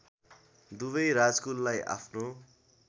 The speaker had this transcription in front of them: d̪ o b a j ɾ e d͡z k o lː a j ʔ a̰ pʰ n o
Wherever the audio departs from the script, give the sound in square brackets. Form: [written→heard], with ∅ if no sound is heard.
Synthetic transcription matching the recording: d̪ [o→u] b [a→ʌ] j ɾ [e→a] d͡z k [o→u] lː a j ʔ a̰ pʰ n o